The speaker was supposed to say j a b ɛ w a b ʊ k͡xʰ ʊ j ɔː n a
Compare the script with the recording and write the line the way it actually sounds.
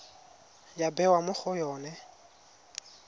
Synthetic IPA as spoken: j a b ɛ w a m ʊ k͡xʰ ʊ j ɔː n ɛ